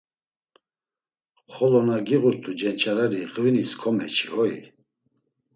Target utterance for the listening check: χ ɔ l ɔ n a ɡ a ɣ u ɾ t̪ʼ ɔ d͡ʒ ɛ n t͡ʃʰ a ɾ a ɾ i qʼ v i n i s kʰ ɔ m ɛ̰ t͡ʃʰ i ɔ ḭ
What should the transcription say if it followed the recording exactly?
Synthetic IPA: χ ɔ l ɔ n a ɡ i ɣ u ɾ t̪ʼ u d͡ʒ ɛ n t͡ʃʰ a ɾ a ɾ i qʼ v i n i s kʰ ɔ m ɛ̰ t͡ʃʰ i ɔ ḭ

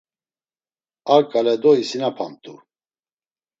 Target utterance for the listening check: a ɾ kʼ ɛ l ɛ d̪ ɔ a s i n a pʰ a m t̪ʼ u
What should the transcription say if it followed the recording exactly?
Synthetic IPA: a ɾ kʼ a l ɛ d̪ ɔ i s i n a pʰ a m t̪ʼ u

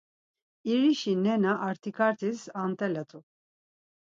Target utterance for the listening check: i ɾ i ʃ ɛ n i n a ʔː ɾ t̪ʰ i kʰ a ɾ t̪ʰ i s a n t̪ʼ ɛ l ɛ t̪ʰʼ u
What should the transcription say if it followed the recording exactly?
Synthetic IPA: i ɾ i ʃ i n ɛ n a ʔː ɾ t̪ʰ i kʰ a ɾ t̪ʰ i s a n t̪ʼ ɛ l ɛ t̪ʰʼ u

